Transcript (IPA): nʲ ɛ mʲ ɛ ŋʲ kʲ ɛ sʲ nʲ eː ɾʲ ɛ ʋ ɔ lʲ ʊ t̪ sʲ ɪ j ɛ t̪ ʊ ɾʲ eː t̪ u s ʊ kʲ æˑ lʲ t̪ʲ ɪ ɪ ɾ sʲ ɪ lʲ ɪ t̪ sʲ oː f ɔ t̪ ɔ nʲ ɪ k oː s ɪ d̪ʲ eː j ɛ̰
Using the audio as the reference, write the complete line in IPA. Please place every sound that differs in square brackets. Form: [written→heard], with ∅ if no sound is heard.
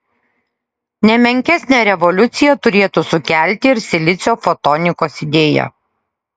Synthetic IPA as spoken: nʲ ɛ mʲ ɛ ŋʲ kʲ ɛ sʲ nʲ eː ɾʲ ɛ ʋ ɔ lʲ ʊ t̪ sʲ ɪ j ɛ t̪ ʊ ɾʲ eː t̪ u s ʊ kʲ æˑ lʲ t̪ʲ ɪ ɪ ɾ sʲ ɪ lʲ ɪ t̪ sʲ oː f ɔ t̪ ɔ nʲ ɪ k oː s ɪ d̪ʲ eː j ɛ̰